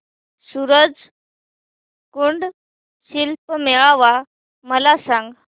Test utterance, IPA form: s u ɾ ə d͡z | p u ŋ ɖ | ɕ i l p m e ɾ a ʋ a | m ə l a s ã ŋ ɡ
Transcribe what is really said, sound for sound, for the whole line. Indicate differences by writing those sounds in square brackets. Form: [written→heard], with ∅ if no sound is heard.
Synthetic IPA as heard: s u ɾ ə d͡z | [p→k] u [ŋ→ɳ] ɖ | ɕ i l p m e [ɾ→ɭ] a ʋ a | m ə l a s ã ŋ ɡ

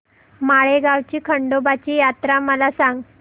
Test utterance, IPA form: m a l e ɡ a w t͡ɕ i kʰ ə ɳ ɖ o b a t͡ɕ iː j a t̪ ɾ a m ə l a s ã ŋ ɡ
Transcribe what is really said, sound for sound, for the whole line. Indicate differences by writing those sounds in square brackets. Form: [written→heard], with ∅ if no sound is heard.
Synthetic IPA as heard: m a [l→ɭ] e ɡ a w t͡ɕ [i→iː] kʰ ə ɳ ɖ o b a t͡ɕ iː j a t̪ ɾ a m ə l a s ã ŋ ɡ

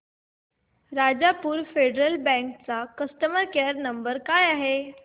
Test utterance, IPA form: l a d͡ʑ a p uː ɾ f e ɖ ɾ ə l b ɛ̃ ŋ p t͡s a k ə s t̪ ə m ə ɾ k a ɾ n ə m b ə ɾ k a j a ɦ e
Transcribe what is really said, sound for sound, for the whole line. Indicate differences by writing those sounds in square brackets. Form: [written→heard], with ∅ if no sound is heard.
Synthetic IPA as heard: [l→ɾ] a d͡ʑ a p uː ɾ f e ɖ ɾ ə l b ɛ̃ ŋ [p→k] t͡s a k ə s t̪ ə m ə ɾ k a ɾ n ə m b ə ɾ k a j a ɦ e

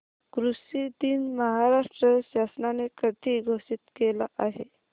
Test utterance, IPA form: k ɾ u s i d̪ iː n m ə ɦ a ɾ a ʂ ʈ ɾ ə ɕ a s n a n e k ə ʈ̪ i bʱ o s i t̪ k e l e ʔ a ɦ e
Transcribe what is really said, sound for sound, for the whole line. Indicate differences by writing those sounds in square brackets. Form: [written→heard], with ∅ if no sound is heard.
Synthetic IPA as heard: k ɾ u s i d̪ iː n m ə ɦ a ɾ a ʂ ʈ ɾ ə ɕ a s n a n e k ə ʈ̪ i [bʱ→ɡʱ] o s i t̪ k e l [e→a] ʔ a ɦ e

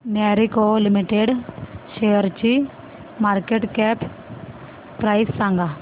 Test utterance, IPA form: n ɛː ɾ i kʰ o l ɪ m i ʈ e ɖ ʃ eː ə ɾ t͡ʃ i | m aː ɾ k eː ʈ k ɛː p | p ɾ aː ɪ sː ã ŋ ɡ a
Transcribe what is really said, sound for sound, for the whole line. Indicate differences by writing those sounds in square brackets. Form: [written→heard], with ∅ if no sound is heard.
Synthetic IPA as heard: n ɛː ɾ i [kʰ→k] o l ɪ m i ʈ e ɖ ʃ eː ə ɾ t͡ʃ i | m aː ɾ k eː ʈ k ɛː p | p ɾ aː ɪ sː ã ŋ ɡ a

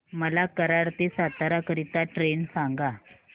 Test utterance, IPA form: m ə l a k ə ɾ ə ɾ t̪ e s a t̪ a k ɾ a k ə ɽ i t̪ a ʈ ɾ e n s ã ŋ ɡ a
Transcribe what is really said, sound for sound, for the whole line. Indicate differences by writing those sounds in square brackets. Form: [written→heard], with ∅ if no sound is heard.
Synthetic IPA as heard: m ə l a k ə ɾ [ə→a] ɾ t̪ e s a t̪ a [k→∅] ɾ a k ə [ɽ→ɾ] i t̪ a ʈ ɾ e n s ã ŋ ɡ a

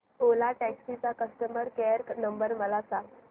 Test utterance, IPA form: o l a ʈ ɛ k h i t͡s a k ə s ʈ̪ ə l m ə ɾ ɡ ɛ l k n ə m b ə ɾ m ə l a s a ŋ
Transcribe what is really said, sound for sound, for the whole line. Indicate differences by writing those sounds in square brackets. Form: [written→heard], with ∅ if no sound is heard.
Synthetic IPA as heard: o l a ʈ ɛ k [h→s] i t͡s a k ə s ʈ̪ ə [l→∅] m ə ɾ [ɡ→k] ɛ [l→ɾ] k n ə m b ə ɾ m ə l a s a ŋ

